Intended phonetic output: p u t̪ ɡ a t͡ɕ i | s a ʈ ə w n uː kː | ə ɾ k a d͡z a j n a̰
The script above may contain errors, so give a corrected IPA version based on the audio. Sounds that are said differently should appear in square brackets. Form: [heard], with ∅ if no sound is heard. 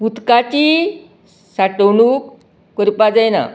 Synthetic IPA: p u t̪ [k] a t͡ɕ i | s a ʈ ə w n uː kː | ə ɾ [p] a d͡z a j n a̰